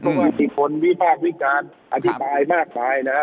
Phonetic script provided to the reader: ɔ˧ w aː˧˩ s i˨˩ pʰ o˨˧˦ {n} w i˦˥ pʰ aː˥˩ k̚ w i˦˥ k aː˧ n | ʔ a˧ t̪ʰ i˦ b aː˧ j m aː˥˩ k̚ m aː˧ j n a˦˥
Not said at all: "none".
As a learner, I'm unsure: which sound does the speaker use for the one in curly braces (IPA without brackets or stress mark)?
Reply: n